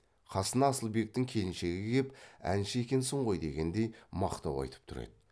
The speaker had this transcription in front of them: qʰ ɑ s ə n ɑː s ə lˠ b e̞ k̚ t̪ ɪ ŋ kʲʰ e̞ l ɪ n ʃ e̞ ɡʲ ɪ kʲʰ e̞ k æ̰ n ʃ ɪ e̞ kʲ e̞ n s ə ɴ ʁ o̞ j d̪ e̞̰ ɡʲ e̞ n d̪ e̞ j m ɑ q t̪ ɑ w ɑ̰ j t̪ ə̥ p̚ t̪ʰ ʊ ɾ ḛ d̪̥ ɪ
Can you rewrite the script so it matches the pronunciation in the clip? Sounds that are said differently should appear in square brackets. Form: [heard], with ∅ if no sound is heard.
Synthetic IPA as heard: qʰ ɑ s ə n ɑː s ə lˠ b e̞ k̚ t̪ ɪ ŋ kʲʰ e̞ l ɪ n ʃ e̞ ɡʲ ɪ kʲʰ e̞ [p] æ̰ n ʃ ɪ e̞ kʲ e̞ n s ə ɴ ʁ o̞ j d̪ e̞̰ ɡʲ e̞ n d̪ e̞ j m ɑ q t̪ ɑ w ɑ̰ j t̪ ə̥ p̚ t̪ʰ ʊ ɾ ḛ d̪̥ ɪ